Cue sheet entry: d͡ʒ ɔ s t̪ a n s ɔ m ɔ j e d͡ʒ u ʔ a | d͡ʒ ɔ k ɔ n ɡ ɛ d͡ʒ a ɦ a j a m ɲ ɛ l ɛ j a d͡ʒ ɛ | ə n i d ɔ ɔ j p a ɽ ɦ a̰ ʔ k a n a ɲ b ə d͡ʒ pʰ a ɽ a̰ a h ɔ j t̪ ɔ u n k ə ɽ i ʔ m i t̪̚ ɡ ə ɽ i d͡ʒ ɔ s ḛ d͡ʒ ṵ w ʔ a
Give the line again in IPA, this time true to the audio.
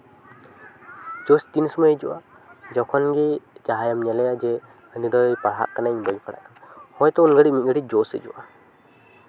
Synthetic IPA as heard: d͡ʒ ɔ s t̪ i n s ɔ m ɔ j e d͡ʒ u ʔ a | d͡ʒ ɔ kʰ ɔ n ɡ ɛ d͡ʒ a ɦ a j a m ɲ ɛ l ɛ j a d͡ʒ ɛ | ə n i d ɔ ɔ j p a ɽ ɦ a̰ ʔ k a n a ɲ b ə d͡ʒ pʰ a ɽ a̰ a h ɔ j t̪ ɔ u n ɡ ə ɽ i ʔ m i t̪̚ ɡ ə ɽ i d͡ʒ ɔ s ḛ d͡ʒ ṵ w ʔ a